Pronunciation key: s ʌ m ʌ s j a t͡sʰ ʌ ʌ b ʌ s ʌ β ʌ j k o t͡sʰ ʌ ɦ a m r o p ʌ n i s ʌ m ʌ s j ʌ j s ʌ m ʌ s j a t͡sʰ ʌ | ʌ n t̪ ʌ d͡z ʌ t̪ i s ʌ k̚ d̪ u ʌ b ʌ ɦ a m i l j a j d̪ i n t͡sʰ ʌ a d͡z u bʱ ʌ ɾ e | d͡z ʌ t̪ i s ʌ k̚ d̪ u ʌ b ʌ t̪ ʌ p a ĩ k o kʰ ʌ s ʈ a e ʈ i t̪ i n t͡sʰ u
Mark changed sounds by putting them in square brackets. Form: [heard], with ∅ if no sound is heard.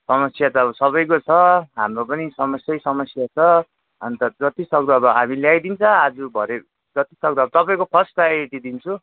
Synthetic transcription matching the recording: s ʌ m ʌ s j a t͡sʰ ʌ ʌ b ʌ s ʌ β ʌ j k o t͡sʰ ʌ ɦ a m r o p ʌ n i s ʌ m ʌ s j ʌ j s ʌ m ʌ s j a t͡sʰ ʌ | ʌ n t̪ ʌ d͡z ʌ t̪ i s ʌ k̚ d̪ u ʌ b ʌ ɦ a m i l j a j d̪ i n t͡sʰ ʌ a d͡z u bʱ ʌ ɾ e | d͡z ʌ t̪ i s ʌ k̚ d̪ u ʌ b ʌ t̪ ʌ p a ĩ k o [pʰ] ʌ s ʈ a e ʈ i [d̪] i n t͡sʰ u